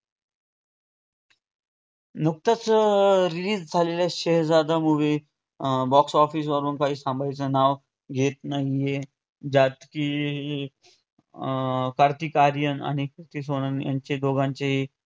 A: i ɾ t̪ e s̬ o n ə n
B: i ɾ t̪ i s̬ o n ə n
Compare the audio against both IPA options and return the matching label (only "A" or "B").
B